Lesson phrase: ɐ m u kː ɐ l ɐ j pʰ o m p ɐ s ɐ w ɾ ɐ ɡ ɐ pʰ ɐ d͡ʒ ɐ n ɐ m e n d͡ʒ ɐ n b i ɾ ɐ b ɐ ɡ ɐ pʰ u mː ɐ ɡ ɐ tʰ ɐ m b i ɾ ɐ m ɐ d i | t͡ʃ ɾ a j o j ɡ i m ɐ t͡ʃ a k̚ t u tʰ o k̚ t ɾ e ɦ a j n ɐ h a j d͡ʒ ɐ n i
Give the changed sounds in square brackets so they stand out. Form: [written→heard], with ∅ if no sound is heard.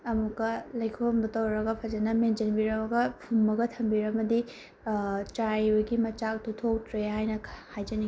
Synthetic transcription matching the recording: ɐ m u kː ɐ l ɐ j [pʰ→kʰ] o m [p→b] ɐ [s→t] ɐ w ɾ ɐ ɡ ɐ pʰ ɐ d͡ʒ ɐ n ɐ m e n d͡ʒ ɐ n b i ɾ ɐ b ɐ ɡ ɐ pʰ u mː ɐ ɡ ɐ tʰ ɐ m b i ɾ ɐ m ɐ d i | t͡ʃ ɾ a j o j ɡ i m ɐ t͡ʃ a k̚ t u tʰ o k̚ t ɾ e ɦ a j n ɐ h a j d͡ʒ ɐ n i